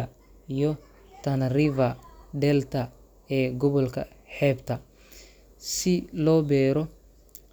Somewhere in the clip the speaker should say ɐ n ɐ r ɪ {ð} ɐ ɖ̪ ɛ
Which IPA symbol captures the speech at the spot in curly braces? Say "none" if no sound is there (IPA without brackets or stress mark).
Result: v